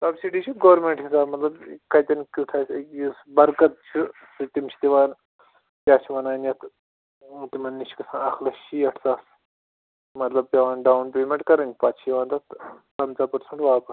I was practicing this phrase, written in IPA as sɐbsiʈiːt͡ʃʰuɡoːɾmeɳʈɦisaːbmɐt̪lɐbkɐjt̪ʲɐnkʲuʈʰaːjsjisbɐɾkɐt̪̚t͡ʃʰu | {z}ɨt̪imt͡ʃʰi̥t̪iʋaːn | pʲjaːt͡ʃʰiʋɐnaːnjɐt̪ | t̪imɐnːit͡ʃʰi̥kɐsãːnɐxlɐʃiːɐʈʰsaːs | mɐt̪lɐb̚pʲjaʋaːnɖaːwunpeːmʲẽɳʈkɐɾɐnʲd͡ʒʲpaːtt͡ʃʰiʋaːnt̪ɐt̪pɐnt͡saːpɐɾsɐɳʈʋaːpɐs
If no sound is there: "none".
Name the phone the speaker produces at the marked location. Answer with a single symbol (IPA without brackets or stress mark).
s